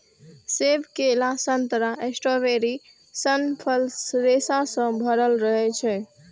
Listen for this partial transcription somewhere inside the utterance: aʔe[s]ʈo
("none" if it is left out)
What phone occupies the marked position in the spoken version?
s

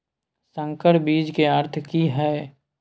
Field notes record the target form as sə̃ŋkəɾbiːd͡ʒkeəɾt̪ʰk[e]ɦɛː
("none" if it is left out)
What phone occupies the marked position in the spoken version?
i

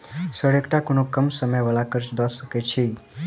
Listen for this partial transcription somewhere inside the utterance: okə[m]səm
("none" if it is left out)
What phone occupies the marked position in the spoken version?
m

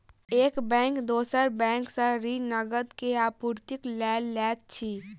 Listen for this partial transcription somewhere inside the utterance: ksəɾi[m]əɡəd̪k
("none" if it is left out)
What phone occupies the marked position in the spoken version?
n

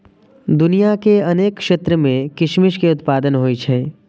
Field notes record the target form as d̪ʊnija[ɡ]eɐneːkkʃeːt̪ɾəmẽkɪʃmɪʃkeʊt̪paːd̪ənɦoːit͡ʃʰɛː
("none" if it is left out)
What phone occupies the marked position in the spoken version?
k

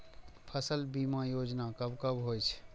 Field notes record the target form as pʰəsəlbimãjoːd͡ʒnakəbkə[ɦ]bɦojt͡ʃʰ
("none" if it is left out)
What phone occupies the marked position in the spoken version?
none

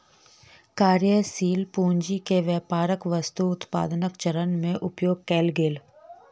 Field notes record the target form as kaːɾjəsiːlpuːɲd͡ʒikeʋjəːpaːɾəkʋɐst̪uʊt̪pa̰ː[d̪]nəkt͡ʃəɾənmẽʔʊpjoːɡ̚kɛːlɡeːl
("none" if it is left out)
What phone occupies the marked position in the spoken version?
d̪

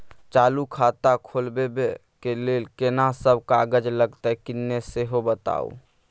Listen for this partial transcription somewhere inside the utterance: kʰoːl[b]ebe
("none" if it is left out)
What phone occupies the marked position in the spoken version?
b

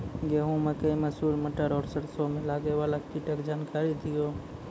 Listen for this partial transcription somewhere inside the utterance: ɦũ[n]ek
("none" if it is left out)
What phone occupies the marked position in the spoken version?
m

